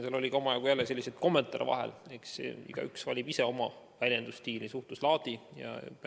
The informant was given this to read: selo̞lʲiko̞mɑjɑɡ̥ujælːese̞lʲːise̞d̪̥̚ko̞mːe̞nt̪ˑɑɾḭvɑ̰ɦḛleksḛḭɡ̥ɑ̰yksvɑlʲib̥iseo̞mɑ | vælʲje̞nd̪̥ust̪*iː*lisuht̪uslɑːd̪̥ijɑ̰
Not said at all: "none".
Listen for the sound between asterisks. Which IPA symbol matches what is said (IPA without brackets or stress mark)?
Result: iː